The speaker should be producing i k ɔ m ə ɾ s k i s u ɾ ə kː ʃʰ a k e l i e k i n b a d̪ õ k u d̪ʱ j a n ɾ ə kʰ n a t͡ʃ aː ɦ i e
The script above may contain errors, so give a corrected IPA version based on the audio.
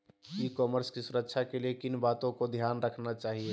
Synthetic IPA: i k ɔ m ə ɾ s k i s u ɾ ə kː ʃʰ a k e l i e k i n b a t̪ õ k o d̪ʱ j a n ɾ ə kʰ n a t͡ʃ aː ɦ i e

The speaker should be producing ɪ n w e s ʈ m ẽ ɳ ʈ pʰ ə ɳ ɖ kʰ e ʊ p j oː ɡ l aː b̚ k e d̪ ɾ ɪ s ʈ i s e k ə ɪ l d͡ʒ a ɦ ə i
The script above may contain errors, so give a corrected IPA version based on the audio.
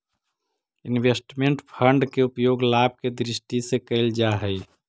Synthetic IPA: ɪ n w e s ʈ m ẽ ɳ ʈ pʰ ə ɳ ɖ k e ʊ p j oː ɡ l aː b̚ k e d̪ ɾ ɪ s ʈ i s e k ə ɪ l d͡ʒ a ɦ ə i

